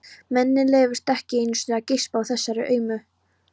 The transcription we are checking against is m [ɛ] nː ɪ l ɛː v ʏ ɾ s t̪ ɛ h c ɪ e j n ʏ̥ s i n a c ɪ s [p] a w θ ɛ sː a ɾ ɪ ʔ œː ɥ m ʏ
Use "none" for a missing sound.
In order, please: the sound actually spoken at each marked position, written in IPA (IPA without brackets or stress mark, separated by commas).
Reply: ɛ, p